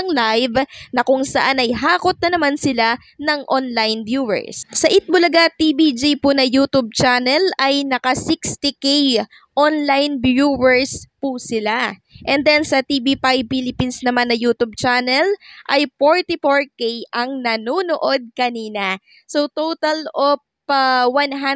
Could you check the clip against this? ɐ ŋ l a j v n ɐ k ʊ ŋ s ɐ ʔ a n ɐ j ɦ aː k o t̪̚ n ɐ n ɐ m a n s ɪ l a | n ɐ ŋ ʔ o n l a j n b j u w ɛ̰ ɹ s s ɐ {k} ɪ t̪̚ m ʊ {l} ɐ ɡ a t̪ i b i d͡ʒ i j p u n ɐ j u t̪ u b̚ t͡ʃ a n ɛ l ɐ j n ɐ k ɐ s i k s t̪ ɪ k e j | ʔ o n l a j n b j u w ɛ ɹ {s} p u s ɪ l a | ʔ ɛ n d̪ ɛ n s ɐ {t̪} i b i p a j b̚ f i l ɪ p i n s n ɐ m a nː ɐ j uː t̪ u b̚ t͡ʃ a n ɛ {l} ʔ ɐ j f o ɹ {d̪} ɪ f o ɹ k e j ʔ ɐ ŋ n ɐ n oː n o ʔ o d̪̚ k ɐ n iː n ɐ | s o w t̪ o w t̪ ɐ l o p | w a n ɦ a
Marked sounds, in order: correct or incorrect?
incorrect: ʔ, correct, correct, correct, correct, incorrect: t̪

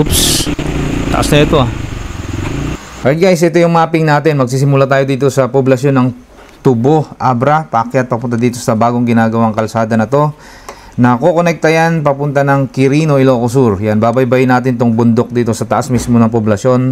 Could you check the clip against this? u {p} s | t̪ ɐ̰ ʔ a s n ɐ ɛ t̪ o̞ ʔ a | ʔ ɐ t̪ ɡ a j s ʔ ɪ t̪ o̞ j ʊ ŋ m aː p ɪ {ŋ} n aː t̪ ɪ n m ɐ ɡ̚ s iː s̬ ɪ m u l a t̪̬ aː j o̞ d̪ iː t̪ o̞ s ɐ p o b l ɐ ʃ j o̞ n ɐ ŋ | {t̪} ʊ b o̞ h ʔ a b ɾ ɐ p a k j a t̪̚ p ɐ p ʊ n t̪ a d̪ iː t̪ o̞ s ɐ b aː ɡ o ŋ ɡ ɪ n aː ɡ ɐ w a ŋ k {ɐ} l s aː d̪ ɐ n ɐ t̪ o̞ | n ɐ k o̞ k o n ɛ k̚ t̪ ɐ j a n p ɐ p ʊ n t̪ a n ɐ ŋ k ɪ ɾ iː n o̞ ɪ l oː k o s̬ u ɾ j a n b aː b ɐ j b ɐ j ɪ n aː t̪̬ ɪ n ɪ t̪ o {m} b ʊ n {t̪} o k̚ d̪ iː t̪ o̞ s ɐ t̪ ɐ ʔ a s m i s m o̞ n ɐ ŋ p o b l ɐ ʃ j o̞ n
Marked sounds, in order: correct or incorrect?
correct, correct, correct, correct, incorrect: ŋ, incorrect: d̪

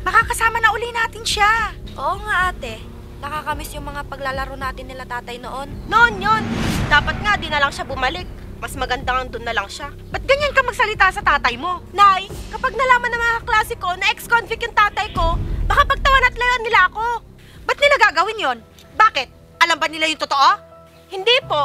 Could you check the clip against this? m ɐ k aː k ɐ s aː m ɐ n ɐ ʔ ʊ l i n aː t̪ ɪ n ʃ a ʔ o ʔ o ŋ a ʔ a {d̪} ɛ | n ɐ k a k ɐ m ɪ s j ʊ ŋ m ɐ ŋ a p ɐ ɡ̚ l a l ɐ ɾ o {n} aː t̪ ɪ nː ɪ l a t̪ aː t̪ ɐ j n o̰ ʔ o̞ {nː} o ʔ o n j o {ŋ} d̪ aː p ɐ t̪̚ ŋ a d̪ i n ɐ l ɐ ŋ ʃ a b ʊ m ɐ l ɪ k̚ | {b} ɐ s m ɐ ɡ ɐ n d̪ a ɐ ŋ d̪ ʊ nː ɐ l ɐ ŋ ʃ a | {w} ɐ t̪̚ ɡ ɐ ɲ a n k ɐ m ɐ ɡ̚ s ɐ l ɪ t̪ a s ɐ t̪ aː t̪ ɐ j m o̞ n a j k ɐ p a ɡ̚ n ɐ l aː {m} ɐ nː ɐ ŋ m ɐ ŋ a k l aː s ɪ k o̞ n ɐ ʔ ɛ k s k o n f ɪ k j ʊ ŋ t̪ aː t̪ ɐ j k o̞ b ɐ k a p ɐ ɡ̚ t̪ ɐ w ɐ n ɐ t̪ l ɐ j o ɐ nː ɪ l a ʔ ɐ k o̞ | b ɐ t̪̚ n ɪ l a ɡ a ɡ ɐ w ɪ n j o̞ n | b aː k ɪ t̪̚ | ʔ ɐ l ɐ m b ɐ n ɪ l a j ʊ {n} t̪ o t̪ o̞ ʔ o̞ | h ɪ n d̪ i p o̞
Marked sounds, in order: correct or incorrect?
incorrect: t̪, correct, correct, incorrect: n, incorrect: m, incorrect: b, correct, incorrect: ŋ

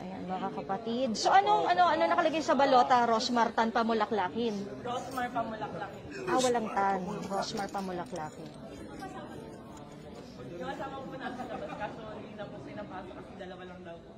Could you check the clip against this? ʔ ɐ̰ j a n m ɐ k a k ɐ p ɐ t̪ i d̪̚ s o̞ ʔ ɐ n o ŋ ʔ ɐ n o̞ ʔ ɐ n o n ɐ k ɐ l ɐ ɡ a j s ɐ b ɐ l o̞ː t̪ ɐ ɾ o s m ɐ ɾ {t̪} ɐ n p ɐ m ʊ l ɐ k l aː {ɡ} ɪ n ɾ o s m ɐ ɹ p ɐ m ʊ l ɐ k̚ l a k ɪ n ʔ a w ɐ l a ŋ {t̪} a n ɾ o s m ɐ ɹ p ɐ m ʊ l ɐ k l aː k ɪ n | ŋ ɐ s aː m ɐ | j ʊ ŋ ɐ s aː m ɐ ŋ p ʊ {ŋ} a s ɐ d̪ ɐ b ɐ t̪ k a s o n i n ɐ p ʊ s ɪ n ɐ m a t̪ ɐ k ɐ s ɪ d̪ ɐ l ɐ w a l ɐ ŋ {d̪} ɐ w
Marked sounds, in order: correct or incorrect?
correct, incorrect: k, correct, incorrect: n, correct

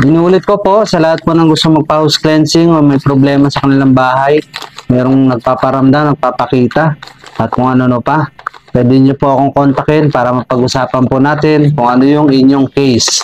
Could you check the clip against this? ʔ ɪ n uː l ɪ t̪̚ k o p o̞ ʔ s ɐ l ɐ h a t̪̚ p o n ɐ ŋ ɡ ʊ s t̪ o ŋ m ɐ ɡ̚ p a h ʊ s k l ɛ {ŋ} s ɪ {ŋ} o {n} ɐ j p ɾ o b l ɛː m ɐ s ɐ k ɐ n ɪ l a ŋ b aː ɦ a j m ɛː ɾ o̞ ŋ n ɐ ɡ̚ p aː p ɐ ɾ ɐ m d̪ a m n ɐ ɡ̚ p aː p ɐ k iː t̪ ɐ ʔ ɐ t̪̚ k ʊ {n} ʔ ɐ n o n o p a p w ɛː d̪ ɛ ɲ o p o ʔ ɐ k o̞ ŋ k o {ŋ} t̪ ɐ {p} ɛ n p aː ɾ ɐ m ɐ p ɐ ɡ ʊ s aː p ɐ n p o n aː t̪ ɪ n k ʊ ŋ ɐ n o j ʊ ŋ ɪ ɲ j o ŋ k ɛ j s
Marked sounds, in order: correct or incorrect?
incorrect: n, correct, incorrect: m, incorrect: ŋ, incorrect: n, incorrect: k

